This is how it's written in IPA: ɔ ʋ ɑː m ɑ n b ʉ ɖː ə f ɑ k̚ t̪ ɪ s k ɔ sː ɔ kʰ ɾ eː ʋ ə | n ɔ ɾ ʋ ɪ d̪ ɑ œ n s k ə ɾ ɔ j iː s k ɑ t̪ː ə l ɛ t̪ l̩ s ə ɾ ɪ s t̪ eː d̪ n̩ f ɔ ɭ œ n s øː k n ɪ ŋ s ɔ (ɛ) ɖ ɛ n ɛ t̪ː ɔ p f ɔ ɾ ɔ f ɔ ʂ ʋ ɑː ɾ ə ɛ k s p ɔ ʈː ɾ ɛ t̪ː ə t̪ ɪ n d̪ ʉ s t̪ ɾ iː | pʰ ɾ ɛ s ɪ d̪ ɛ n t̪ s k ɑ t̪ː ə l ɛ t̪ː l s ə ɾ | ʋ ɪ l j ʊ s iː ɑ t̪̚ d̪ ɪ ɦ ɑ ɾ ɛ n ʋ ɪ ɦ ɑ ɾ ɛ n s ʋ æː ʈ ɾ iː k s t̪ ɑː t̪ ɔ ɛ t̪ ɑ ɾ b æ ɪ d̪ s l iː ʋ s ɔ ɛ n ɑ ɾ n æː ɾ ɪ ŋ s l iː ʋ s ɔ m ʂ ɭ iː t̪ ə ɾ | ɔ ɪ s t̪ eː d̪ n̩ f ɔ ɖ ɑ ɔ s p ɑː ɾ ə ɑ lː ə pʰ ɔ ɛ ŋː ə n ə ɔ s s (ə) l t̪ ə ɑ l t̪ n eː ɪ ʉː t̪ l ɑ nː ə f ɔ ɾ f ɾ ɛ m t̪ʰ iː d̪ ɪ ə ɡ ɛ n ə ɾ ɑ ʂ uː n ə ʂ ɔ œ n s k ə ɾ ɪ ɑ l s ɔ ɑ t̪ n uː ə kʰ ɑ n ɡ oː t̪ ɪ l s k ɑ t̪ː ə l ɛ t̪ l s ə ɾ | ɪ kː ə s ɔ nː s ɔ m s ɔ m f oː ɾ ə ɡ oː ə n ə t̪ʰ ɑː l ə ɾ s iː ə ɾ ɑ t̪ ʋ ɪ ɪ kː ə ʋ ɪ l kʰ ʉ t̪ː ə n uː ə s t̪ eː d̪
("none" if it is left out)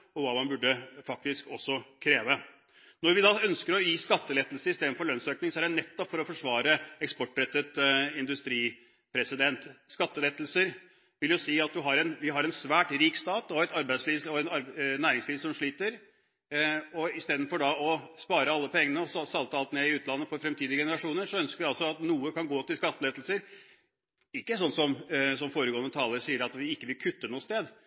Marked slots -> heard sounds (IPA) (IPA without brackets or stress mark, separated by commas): æ, ɑ